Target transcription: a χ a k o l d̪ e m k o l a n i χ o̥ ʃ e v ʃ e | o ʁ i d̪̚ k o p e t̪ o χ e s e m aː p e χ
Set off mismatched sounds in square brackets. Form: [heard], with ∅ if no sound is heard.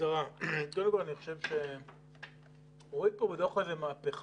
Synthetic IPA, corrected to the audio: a [ʁ] a k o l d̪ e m k o l a n i χ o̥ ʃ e v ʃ e | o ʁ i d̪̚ [p] o [b] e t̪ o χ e [z] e m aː p e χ